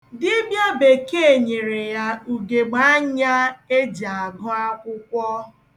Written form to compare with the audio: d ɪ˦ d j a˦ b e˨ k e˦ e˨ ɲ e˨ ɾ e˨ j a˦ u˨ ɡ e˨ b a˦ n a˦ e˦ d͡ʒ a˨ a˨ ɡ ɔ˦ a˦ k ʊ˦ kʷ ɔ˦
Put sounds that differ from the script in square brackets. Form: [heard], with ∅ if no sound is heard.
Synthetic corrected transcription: d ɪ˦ [b] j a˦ b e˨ k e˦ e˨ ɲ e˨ ɾ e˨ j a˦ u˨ ɡ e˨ [ɡ͡b] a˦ [ɲ] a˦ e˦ d͡ʒ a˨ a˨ ɡ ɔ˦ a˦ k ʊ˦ kʷ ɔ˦